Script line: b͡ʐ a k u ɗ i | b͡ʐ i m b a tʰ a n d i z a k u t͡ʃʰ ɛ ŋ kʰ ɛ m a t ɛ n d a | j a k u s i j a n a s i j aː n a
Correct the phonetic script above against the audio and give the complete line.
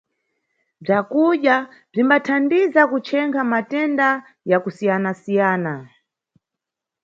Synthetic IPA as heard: b͡ʐ a k u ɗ a | b͡ʐ i m b a tʰ a n d i z a k u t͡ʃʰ ɛ ŋ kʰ a m a t ɛ n d a | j a k u s i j a n a s i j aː n a